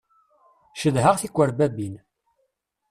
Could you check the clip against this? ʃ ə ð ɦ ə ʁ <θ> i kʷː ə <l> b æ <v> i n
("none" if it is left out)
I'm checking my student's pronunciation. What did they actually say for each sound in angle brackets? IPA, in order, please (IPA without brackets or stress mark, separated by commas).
θ, ɾ, b